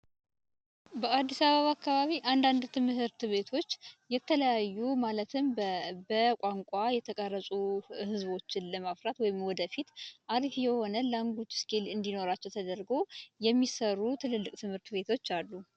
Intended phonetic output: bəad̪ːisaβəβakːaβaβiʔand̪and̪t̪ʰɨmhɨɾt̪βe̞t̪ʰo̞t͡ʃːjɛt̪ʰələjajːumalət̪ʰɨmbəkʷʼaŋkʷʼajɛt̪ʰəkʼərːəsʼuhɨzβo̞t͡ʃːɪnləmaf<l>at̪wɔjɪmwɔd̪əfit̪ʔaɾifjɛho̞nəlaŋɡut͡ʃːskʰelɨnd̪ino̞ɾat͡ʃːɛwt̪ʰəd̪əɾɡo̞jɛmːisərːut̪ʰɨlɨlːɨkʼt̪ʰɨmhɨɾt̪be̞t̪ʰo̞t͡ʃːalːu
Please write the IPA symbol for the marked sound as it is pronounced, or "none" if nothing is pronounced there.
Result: ɾ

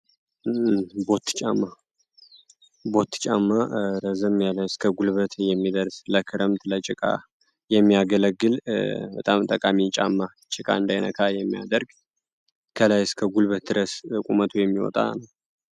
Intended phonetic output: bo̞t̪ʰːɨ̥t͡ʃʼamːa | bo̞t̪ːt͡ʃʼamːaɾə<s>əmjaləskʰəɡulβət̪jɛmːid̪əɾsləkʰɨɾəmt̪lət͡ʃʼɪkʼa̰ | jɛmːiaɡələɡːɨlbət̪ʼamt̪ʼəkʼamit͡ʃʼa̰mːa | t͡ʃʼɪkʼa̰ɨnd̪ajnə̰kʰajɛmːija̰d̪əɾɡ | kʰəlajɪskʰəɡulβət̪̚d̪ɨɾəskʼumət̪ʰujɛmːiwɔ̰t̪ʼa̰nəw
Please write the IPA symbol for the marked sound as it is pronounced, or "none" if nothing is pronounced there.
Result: z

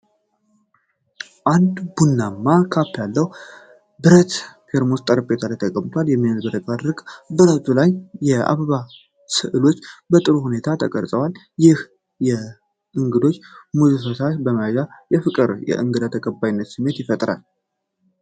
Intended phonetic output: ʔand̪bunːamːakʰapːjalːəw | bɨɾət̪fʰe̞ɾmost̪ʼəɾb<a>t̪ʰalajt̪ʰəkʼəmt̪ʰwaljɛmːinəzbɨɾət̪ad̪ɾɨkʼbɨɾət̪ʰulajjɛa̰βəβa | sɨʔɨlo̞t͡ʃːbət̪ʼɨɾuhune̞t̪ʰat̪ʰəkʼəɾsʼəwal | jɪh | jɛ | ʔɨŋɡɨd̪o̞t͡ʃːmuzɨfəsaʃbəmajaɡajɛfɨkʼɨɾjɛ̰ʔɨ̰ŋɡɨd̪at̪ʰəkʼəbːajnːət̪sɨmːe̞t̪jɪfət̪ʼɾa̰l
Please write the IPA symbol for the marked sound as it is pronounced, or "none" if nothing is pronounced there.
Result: e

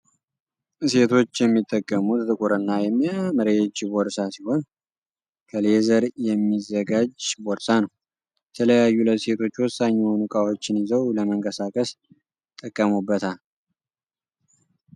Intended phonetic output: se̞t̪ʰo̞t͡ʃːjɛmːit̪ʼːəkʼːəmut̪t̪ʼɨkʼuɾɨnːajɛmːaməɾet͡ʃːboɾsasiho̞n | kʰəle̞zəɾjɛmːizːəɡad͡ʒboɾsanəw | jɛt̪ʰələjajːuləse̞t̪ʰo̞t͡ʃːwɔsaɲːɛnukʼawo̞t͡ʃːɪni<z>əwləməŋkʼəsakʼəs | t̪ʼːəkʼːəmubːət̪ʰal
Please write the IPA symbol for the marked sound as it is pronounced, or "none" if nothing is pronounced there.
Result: z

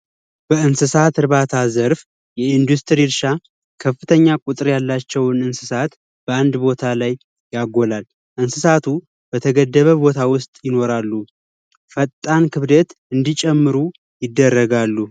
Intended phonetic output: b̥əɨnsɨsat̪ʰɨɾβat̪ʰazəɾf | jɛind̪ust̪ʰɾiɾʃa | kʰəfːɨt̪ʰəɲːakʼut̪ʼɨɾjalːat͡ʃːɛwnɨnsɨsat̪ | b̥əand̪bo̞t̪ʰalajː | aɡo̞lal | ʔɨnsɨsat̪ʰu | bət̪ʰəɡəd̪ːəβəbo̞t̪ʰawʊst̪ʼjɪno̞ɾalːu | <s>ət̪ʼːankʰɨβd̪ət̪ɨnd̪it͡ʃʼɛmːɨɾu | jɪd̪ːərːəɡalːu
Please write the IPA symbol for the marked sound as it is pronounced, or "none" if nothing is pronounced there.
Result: f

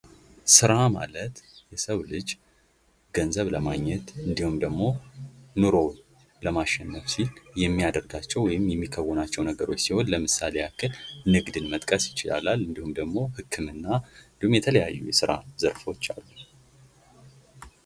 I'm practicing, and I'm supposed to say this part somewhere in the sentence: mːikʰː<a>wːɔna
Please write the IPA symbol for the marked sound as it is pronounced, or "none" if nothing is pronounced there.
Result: ə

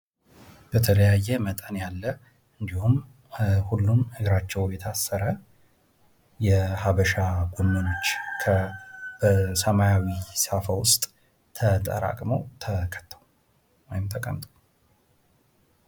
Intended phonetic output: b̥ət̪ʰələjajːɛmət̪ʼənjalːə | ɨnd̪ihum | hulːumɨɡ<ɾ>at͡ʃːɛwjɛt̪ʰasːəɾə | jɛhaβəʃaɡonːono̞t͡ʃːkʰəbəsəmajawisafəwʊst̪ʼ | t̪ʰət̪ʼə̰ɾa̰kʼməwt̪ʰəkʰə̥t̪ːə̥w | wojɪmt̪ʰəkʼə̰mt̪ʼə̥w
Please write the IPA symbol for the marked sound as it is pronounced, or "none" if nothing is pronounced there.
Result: ɾ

